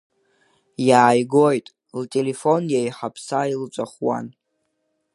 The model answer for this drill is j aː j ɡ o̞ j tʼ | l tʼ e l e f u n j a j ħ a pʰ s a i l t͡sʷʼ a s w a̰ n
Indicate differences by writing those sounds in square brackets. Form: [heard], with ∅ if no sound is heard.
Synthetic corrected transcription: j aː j ɡ o̞ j tʼ | l tʼ e l e f [o] n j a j ħ a pʰ s a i l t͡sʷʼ a [χ] w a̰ n